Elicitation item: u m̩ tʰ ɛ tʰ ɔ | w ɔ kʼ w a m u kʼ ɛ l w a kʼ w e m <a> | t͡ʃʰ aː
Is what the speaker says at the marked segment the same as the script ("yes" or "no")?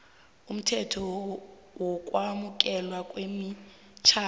no